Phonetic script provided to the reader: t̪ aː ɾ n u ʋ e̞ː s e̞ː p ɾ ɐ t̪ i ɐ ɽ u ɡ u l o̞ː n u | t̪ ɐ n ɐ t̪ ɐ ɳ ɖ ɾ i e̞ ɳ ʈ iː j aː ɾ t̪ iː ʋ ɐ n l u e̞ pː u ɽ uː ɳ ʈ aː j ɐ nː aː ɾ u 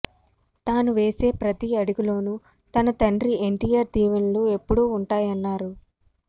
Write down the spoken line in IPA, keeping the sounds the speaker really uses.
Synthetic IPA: t̪ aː n u ʋ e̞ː s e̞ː p ɾ ɐ t̪ i ɐ ɽ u ɡ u l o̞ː n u | t̪ ɐ n ɐ t̪ ɐ ɳ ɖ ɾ i e̞ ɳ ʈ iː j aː ɾ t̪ iː ʋ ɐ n l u e̞ pː u ɽ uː ɳ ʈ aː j ɐ nː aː ɾ u

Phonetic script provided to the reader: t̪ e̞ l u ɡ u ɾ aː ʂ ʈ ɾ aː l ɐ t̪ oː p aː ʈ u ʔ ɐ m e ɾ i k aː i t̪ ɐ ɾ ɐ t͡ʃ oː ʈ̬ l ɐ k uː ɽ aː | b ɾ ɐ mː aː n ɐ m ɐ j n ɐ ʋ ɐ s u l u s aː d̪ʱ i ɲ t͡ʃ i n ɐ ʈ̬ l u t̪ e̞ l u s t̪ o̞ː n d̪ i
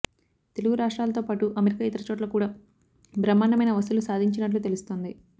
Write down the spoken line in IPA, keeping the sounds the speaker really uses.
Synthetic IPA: t̪ e̞ l u ɡ u ɾ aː ʂ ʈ ɾ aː l ɐ t̪ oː p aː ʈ u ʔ ɐ m e ɾ i k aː i t̪ ɐ ɾ ɐ t͡ʃ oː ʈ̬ l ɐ k uː ɽ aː | b ɾ ɐ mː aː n ɐ m ɐ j n ɐ ʋ ɐ s u l u s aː d̪ʱ i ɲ t͡ʃ i n ɐ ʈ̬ l u t̪ e̞ l u s t̪ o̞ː n d̪ i

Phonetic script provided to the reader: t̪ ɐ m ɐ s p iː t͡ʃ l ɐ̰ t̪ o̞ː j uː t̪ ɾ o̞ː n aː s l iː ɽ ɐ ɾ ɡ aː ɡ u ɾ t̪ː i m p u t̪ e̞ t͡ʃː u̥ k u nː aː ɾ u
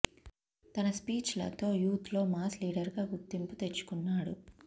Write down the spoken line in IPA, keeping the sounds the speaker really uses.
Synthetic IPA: t̪ ɐ n ɐ s p iː t͡ʃ l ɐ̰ t̪ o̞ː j uː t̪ l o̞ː m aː s l iː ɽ ɐ ɾ ɡ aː ɡ u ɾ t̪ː i m p u t̪ e̞ t͡ʃː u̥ k u nː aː ɽ u

